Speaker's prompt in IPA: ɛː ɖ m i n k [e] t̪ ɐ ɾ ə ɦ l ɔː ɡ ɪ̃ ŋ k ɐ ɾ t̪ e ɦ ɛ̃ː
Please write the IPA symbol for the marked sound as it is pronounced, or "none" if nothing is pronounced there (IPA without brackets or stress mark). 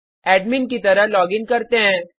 i